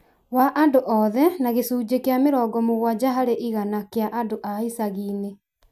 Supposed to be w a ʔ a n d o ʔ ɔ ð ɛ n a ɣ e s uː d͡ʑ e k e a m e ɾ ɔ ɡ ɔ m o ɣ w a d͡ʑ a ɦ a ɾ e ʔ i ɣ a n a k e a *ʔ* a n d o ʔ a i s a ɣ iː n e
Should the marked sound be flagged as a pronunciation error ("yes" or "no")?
no